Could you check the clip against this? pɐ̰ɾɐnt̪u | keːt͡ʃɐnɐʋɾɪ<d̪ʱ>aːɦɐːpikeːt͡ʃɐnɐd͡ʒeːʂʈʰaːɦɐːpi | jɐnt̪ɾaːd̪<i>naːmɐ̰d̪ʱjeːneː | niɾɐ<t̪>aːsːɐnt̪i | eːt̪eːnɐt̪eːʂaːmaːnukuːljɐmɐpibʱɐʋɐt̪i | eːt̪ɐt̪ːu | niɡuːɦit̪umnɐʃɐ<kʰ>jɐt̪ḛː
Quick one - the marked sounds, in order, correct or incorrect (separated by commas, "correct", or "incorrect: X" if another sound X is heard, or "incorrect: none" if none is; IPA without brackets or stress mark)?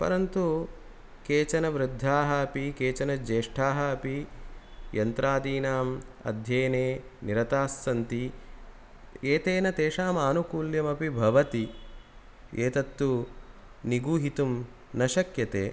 incorrect: d̪ʱː, incorrect: iː, correct, incorrect: k